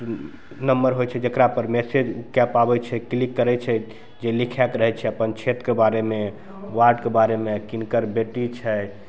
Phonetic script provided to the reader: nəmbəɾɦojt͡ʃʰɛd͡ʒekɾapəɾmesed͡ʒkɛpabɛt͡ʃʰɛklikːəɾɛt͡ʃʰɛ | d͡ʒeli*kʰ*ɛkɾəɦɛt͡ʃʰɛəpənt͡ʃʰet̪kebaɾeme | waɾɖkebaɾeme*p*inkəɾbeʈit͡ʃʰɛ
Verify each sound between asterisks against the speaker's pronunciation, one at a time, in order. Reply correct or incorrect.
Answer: correct, incorrect: k

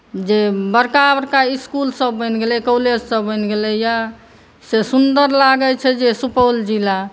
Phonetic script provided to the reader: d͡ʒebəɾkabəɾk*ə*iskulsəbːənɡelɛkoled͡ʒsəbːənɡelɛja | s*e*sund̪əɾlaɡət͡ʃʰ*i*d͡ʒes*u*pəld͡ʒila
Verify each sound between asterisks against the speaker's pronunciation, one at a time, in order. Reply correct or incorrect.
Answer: incorrect: a, correct, incorrect: ɛ, correct

